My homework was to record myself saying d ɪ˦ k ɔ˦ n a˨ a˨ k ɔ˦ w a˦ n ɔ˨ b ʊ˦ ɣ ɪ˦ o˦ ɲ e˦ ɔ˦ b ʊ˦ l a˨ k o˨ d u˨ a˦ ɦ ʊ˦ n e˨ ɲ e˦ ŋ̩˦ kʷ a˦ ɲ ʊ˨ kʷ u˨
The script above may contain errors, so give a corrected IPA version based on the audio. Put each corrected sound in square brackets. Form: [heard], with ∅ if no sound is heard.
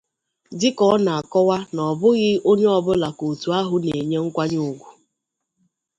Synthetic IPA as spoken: d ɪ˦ k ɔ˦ n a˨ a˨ k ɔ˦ w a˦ n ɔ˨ b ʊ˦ ɣ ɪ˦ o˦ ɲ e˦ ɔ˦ b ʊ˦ l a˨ k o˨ [t] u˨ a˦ ɦ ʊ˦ n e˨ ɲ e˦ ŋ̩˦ kʷ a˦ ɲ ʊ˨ [ɡʷ] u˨